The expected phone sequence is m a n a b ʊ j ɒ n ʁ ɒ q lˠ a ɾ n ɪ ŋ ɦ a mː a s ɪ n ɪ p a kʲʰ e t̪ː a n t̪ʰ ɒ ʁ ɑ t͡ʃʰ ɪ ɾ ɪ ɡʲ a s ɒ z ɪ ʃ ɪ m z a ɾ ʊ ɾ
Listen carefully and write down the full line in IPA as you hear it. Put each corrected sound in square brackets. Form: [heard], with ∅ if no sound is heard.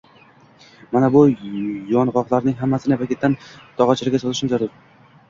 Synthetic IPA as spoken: m a n a b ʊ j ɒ n ʁ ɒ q lˠ a ɾ n ɪ ŋ ɦ a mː a s ɪ n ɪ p a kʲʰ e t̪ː a n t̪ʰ ɒ ʁ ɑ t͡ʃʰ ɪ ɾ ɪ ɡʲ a s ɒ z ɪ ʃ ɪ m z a ɾ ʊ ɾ

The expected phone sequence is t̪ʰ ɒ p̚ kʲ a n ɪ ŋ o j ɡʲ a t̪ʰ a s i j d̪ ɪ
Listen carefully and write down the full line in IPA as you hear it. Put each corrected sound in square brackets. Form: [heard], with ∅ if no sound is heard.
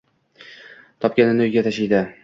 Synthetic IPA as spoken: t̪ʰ ɒ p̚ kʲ a n ɪ [n] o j ɡʲ a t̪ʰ a [ʃ] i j d̪ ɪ

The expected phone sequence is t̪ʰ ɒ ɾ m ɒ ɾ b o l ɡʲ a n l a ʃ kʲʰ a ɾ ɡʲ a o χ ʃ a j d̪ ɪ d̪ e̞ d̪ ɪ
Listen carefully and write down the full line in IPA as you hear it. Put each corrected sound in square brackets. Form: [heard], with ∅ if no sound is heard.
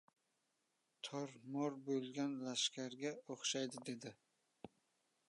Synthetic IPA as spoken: t̪ʰ ɒ ɾ m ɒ ɾ b o l ɡʲ a n l a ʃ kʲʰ a ɾ ɡʲ a o χ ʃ a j d̪ ɪ d̪ e̞ d̪ ɪ

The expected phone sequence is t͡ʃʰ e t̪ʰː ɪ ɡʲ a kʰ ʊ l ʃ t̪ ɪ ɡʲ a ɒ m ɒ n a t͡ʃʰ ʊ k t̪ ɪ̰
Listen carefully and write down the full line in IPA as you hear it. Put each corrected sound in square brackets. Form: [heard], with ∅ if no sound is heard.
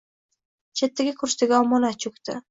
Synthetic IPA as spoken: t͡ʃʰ e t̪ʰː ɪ ɡʲ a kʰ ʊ [ɾ] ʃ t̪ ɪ ɡʲ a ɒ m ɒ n a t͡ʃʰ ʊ k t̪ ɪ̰

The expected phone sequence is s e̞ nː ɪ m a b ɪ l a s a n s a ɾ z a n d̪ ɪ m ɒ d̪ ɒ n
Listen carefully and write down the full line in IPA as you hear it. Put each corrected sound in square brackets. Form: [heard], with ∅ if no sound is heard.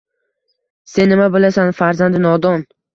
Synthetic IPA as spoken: s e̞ nː ɪ m a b ɪ l a s a n [f] a ɾ z a n d̪ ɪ [n] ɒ d̪ ɒ n

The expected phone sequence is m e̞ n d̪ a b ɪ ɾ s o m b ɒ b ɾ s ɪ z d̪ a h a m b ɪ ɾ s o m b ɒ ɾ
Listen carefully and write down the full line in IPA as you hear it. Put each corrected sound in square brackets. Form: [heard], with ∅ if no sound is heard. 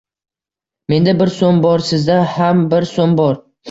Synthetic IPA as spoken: m e̞ n d̪ a b ɪ ɾ s o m b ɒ [∅] ɾ s ɪ z d̪ a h a m b ɪ ɾ s o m b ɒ ɾ

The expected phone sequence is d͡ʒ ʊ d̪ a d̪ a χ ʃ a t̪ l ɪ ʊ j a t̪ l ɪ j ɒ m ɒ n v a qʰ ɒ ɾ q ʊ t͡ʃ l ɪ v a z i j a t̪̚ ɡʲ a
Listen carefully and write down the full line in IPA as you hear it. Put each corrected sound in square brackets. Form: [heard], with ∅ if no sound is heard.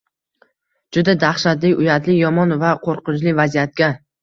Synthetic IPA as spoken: d͡ʒ ʊ d̪ a d̪ a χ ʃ a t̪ l ɪ ʊ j a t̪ l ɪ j ɒ m ɒ n v a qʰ [o] ɾ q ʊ t͡ʃ l ɪ v a z i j a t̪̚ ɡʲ a

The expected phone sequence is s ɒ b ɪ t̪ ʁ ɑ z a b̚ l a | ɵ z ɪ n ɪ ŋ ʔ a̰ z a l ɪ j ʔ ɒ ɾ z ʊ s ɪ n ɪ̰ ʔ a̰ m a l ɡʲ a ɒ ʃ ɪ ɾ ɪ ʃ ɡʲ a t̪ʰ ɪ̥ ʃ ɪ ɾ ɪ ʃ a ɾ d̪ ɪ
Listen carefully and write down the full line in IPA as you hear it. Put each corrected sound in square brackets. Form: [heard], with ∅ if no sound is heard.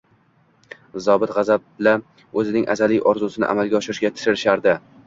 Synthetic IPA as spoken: [z] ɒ b ɪ t̪ ʁ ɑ z a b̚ l a | ɵ z ɪ n ɪ ŋ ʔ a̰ z a l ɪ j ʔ ɒ ɾ z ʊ s ɪ n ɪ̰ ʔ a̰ m a l ɡʲ a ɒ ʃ ɪ ɾ ɪ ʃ ɡʲ a t̪ʰ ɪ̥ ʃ ɪ ɾ ɪ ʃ a ɾ d̪ ɪ

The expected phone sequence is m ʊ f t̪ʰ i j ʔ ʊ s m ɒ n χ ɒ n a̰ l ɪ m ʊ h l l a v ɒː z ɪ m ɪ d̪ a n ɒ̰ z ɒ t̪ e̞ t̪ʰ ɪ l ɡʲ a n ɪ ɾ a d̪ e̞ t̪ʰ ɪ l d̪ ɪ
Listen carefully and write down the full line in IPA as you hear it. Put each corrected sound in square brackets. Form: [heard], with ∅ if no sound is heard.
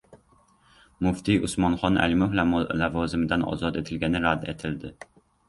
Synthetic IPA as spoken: m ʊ f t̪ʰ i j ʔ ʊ s m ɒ n χ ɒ n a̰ l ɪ m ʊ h l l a v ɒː z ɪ m ɪ d̪ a n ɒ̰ z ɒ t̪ e̞ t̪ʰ ɪ l ɡʲ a n ɪ ɾ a d̪ e̞ t̪ʰ ɪ l d̪ ɪ

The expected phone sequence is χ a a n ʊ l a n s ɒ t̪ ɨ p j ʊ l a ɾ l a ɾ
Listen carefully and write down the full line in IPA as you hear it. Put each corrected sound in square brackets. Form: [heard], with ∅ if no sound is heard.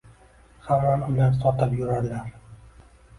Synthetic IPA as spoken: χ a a n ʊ l a n s ɒ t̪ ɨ p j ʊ [ɾ] a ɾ l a ɾ

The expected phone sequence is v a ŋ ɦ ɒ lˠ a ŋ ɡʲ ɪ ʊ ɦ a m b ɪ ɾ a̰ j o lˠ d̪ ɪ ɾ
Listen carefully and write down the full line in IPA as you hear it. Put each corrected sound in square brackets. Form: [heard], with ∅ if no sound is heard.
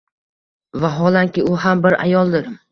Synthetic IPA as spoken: v a [∅] ɦ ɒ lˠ a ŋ [kʲ] ɪ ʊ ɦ a m b ɪ ɾ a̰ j [ɒ] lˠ d̪ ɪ ɾ

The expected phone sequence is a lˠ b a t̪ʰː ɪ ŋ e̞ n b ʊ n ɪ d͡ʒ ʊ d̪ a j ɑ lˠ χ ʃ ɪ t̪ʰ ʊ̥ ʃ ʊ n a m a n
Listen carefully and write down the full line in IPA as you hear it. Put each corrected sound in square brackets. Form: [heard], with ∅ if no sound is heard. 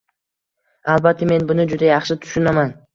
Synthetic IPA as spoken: a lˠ b a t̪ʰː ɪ [m] e̞ n b ʊ n ɪ d͡ʒ ʊ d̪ a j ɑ [∅] χ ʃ ɪ t̪ʰ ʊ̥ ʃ ʊ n a m a n

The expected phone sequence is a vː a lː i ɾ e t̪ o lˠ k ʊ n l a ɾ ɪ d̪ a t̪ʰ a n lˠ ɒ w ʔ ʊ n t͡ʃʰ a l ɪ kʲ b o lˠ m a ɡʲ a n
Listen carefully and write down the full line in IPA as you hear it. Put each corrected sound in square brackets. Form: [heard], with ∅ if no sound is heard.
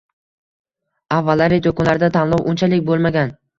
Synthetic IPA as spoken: a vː a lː [a] ɾ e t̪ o [∅] k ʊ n l a ɾ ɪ d̪ a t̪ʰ a n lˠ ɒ w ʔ ʊ n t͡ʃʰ a l ɪ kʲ b o lˠ m a ɡʲ a n

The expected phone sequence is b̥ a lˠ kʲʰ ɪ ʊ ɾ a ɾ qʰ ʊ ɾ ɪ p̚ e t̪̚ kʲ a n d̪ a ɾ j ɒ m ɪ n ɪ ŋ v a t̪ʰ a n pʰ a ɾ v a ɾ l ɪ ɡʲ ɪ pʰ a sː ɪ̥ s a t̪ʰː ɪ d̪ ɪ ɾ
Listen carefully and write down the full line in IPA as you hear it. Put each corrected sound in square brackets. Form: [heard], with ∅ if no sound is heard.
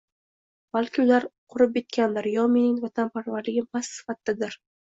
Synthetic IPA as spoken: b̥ a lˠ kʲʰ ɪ ʊ [l] a ɾ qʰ ʊ ɾ ɪ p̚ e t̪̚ kʲ a n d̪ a ɾ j ɒ m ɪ n ɪ ŋ v a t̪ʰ a n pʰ a ɾ v a ɾ l ɪ ɡʲ ɪ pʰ a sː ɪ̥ [f] a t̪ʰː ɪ d̪ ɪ ɾ

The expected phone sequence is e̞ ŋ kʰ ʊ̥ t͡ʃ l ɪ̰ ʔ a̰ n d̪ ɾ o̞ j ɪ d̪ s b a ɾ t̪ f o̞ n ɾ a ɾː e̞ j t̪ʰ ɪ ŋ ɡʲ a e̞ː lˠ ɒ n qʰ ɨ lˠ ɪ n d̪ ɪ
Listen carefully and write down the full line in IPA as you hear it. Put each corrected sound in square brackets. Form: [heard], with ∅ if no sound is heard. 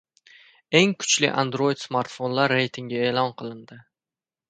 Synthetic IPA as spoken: e̞ ŋ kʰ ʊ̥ t͡ʃ l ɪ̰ ʔ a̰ n d̪ ɾ o̞ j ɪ d̪ s [m] a ɾ t̪ f o̞ n [l] a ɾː e̞ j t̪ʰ ɪ ŋ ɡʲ a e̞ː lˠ ɒ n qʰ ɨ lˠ ɪ n d̪ ɪ

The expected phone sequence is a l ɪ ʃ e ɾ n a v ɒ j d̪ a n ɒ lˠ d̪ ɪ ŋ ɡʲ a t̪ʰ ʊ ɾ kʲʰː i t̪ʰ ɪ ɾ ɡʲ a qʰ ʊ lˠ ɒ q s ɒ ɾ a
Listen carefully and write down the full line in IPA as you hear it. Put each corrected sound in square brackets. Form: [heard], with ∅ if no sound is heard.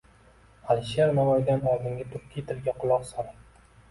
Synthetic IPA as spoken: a l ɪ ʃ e ɾ n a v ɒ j d̪ a n ɒ lˠ d̪ ɪ ŋ ɡʲ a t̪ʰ ʊ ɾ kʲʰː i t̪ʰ ɪ ɾ ɡʲ a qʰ ʊ lˠ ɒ q s ɒ ɾ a

